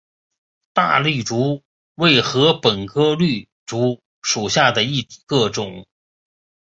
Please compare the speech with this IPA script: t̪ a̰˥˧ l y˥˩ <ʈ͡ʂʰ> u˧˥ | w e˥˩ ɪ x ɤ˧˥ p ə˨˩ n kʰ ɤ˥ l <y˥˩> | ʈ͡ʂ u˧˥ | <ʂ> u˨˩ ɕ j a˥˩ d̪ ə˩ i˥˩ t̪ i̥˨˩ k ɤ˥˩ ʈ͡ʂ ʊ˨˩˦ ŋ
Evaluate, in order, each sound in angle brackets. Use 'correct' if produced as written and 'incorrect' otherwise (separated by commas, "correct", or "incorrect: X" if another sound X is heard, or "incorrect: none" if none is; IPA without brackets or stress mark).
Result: incorrect: ʈ͡ʂ, correct, correct